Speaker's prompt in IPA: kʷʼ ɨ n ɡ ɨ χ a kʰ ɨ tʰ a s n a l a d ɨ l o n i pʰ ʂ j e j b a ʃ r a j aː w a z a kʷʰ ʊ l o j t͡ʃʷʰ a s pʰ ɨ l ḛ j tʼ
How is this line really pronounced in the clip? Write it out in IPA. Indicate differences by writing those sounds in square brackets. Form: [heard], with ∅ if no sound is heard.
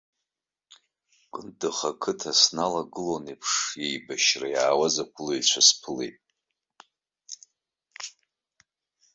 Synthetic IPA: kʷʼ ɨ n [d] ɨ χ a kʰ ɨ tʰ a s n a l a [ɡ] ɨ l o n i pʰ ʂ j e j b a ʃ r a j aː w a z a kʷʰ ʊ l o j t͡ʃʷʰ a s pʰ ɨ l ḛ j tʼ